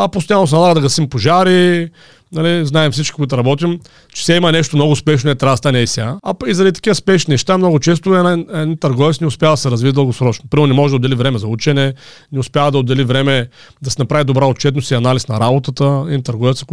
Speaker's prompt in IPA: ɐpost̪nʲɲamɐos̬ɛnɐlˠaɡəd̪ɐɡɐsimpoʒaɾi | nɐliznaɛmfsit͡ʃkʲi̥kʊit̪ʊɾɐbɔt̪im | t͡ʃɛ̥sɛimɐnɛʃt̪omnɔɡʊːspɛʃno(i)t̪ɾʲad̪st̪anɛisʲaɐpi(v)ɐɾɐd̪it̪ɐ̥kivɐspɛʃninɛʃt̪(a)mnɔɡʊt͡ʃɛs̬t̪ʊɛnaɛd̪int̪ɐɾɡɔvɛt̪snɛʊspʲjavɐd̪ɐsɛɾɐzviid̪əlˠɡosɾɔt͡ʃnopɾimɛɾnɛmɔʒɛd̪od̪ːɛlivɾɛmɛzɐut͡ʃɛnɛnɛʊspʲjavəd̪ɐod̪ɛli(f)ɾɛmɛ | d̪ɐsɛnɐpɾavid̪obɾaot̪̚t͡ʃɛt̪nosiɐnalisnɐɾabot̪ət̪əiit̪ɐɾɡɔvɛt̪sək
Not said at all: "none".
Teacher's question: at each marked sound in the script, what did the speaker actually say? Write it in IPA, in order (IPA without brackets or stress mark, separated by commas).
ɛ, z, a, v